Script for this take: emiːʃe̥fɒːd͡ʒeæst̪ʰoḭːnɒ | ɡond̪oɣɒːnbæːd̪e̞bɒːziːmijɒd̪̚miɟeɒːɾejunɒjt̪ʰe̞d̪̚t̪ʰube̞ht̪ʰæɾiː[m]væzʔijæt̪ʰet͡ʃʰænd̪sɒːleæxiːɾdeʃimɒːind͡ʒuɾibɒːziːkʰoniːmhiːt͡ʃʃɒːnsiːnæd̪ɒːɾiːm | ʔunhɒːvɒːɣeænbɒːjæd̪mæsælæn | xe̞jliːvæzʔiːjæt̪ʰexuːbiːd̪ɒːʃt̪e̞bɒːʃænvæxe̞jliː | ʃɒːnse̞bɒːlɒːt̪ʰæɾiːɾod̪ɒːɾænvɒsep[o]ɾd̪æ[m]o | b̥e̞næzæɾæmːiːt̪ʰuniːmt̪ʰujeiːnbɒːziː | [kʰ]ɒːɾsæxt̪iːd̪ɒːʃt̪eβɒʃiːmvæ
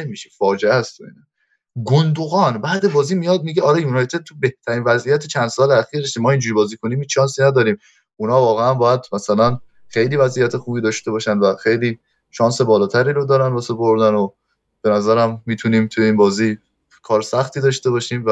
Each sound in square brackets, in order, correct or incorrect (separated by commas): incorrect, correct, incorrect, correct